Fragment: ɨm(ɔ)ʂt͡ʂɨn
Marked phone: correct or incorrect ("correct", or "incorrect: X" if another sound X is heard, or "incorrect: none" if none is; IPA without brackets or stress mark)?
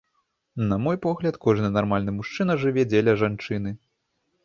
incorrect: u